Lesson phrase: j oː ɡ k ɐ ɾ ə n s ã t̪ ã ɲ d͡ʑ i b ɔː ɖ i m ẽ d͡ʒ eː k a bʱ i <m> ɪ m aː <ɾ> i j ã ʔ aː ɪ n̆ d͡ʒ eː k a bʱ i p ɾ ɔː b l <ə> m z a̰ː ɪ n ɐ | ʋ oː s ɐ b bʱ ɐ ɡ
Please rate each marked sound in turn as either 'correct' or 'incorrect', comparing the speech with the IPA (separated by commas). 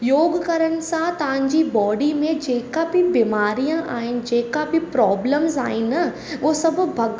incorrect, correct, correct